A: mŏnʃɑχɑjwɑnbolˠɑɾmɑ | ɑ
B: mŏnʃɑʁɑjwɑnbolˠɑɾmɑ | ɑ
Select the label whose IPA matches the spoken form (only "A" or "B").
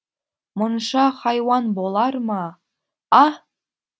A